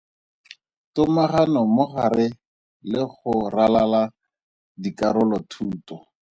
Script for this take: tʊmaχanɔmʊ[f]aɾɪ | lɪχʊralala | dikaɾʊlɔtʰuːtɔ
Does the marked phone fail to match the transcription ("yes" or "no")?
yes